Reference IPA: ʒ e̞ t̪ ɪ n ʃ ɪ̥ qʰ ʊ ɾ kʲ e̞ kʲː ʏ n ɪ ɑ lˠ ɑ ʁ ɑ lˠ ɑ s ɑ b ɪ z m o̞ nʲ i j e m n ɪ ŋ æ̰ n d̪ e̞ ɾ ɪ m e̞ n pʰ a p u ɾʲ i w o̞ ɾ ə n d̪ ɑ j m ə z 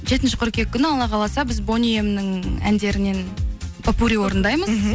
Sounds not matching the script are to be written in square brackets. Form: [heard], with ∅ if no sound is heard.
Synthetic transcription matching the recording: ʒ e̞ t̪ ɪ n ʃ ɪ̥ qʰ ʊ ɾ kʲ e̞ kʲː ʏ n ɪ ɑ lˠ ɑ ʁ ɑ lˠ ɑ s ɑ b ɪ z [b] o̞ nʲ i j e m n ɪ ŋ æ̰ n d̪ e̞ ɾ ɪ [n] e̞ n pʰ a p u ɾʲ i w o̞ ɾ ə n d̪ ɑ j m ə z